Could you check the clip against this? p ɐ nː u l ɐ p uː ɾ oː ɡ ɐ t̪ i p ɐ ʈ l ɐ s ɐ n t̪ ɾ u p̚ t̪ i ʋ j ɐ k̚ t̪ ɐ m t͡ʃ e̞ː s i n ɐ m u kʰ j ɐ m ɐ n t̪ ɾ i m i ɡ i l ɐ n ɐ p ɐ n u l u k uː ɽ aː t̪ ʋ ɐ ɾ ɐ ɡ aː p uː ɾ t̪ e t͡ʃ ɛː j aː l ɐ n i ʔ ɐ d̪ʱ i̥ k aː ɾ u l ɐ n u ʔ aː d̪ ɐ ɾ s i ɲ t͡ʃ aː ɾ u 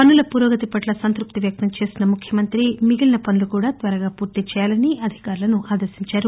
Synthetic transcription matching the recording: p ɐ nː u l ɐ p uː ɾ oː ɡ ɐ t̪ i p ɐ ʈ l ɐ s ɐ n t̪ ɾ u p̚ t̪ i ʋ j ɐ k̚ t̪ ɐ m t͡ʃ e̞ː s i n ɐ m u kʰ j ɐ m ɐ n t̪ ɾ i m i ɡ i l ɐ n ɐ p ɐ n u l u k uː ɽ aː t̪ ʋ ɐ ɾ ɐ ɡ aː p uː ɾ t̪ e t͡ʃ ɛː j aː l ɐ n i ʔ ɐ d̪ʱ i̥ k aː ɾ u l ɐ n u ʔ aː d̪ ɐ ɾ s i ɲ t͡ʃ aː ɾ u